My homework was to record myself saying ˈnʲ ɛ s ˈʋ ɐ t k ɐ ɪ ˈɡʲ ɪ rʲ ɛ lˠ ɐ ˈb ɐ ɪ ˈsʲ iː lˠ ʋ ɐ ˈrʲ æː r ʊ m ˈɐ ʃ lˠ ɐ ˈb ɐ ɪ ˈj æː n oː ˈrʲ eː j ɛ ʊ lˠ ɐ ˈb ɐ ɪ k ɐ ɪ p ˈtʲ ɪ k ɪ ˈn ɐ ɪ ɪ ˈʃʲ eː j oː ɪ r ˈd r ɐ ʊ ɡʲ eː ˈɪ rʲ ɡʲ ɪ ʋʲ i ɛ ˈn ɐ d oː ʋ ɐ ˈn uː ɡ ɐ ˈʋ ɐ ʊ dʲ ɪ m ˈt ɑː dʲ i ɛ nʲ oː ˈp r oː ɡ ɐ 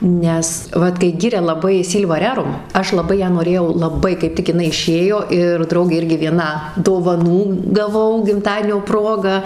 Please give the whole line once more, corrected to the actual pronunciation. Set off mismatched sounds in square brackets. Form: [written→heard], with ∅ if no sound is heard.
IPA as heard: ˈnʲ ɛ s ˈʋ ɐ t k ɐ ɪ ˈɡʲ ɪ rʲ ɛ lˠ ɐ ˈb ɐ ɪ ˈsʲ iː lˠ ʋ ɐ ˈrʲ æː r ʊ m ˈɐ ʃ lˠ ɐ ˈb ɐ ɪ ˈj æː n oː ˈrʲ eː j ɛ ʊ lˠ ɐ ˈb ɐ ɪ k ɐ ɪ p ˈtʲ ɪ k ɪ ˈn ɐ ɪ ɪ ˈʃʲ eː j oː ɪ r ˈd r ɐ ʊ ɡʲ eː ˈɪ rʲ ɡʲ ɪ ʋʲ i ɛ ˈn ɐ d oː ʋ ɐ ˈn uː ɡ ɐ ˈʋ ɐ ʊ [dʲ→ɡʲ] ɪ m ˈt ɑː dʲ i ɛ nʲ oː ˈp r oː ɡ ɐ